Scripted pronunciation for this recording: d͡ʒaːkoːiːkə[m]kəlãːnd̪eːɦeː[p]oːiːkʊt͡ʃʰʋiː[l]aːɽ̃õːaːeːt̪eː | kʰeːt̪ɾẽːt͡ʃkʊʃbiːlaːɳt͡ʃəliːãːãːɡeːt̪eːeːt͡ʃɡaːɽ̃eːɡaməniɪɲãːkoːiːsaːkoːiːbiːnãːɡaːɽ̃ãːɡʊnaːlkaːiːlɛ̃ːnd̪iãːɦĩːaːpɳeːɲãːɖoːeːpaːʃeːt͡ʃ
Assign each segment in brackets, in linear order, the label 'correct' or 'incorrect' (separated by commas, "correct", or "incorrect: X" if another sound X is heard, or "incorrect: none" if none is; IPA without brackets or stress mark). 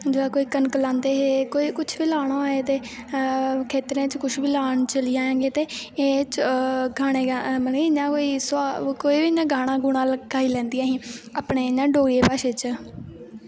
incorrect: n, incorrect: k, correct